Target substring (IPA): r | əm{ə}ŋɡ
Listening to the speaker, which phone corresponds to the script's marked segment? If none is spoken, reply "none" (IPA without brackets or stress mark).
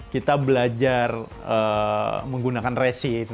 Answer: ə